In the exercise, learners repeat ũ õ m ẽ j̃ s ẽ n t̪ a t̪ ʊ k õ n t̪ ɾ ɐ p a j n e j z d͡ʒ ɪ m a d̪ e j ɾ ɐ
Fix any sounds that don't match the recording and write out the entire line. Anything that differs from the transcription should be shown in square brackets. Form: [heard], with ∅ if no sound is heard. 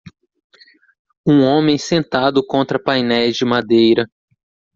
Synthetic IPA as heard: ũ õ m ẽ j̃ s ẽ n t̪ a [d̪] ʊ k õ n t̪ ɾ ɐ p a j n [ɛ] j z d͡ʒ ɪ m a d̪ e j ɾ ɐ